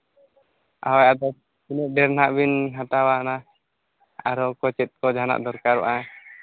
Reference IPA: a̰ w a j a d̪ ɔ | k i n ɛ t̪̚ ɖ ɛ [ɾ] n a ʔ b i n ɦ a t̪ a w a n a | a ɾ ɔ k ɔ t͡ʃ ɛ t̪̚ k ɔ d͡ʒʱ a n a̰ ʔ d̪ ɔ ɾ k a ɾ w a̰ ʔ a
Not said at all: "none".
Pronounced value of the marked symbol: ɾ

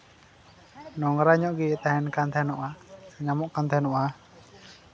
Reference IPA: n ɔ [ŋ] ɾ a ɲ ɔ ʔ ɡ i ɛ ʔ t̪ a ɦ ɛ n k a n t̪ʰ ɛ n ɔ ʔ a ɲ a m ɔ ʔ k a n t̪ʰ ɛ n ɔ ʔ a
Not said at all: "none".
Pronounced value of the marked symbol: ŋ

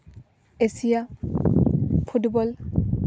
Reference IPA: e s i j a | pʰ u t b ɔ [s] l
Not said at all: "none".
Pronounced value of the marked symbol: none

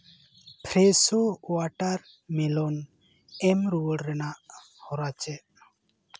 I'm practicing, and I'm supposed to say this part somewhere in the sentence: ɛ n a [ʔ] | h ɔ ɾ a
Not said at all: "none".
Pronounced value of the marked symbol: ʔ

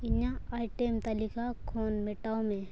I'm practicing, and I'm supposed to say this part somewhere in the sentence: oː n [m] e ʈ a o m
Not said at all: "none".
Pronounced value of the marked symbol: m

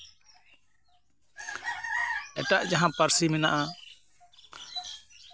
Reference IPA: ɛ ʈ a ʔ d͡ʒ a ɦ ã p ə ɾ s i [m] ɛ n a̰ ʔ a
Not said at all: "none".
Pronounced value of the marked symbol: m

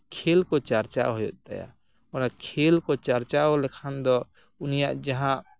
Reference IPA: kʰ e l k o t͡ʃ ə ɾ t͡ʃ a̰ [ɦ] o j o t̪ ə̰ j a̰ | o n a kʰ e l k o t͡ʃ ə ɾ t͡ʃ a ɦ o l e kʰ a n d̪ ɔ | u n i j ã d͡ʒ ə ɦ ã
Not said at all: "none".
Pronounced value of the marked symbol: ɦ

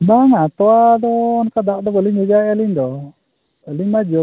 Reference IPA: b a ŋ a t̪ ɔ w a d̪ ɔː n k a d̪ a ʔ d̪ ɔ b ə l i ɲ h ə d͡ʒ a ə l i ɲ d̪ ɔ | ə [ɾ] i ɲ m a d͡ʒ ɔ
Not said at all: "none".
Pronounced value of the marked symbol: l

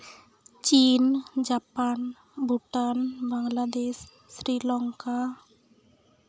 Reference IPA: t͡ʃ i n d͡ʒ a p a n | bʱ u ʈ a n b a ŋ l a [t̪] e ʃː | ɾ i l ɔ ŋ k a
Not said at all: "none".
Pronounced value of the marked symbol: d̪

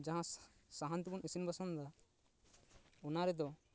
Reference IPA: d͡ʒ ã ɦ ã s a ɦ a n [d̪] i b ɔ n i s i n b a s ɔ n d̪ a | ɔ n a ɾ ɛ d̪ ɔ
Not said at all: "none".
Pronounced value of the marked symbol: t̪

